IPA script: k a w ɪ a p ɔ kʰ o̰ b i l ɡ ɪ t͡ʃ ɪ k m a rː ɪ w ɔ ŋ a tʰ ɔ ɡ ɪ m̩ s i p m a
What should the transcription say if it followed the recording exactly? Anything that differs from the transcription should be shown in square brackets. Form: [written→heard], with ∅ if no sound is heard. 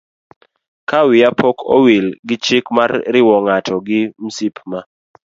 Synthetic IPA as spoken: k a w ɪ a p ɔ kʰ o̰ [b→w] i l ɡ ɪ t͡ʃ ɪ k m a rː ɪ w ɔ ŋ a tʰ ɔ ɡ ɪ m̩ s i p m a